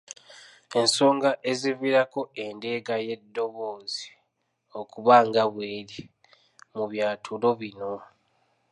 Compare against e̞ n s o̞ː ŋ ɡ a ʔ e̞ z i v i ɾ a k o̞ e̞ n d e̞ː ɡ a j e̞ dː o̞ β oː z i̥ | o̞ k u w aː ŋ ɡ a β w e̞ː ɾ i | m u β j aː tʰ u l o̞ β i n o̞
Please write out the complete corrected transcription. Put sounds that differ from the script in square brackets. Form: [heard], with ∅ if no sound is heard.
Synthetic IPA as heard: e̞ n s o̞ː ŋ ɡ a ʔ e̞ z i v i ɾ a k o̞ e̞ n d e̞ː ɡ a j e̞ dː o̞ β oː z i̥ | o̞ k u [β] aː ŋ ɡ a β w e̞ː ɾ i | m u β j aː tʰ u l o̞ β i n o̞